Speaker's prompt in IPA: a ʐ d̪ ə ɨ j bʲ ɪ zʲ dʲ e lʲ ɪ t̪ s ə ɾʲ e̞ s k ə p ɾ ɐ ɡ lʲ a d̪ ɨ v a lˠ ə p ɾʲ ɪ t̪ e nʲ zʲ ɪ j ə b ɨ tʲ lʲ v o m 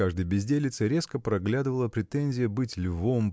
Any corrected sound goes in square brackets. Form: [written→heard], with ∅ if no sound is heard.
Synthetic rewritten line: a ʐ d̪ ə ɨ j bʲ ɪ zʲ dʲ e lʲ ɪ t̪ s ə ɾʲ e̞ s k ə p ɾ ɐ ɡ lʲ a d̪ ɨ v [a→ə] lˠ ə p ɾʲ ɪ t̪ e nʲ zʲ ɪ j ə b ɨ tʲ lʲ v o m